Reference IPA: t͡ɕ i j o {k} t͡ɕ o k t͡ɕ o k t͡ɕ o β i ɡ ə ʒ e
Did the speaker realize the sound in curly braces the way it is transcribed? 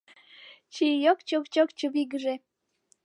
yes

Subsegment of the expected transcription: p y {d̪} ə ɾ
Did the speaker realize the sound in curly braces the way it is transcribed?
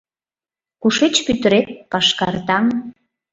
no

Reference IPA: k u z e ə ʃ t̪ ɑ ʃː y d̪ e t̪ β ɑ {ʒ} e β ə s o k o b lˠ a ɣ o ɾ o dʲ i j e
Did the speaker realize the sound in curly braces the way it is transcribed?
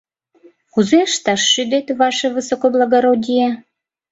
no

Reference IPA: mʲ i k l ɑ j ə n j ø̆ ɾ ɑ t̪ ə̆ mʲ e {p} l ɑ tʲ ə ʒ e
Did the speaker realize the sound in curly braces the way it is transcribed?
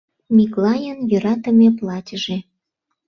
yes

